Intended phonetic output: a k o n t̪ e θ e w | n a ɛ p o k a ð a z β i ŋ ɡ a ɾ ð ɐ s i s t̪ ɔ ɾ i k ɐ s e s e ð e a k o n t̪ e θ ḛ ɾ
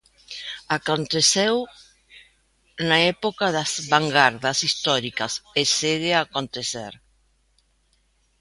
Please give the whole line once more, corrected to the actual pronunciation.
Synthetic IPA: a k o n t̪ e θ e w | n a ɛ p o k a ð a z β a ŋ ɡ a ɾ ð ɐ s i s t̪ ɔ ɾ i k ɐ s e s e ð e a k o n t̪ e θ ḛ ɾ